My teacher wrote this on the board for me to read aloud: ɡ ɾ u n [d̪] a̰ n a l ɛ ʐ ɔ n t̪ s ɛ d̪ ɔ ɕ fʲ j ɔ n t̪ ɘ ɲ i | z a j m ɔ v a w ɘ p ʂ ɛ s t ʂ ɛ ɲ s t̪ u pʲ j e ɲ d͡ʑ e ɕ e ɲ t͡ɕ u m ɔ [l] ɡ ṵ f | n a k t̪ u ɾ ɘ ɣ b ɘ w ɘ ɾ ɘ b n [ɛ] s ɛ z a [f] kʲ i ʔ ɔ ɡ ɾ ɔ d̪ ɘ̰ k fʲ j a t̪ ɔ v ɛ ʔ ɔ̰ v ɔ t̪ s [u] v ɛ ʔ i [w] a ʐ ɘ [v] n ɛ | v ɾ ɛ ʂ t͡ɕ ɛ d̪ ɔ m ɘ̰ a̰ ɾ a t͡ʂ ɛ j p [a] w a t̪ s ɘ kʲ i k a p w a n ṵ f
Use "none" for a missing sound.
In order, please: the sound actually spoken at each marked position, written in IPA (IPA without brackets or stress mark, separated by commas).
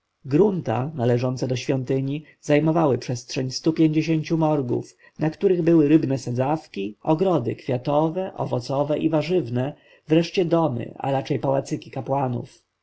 t̪, ɾ, ɛ, f, ɔ, v, v, a